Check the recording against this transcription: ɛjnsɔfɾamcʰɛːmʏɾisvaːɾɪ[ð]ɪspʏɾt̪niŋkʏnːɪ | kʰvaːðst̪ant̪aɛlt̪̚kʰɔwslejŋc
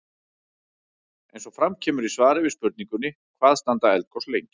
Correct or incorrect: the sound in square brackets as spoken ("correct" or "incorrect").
incorrect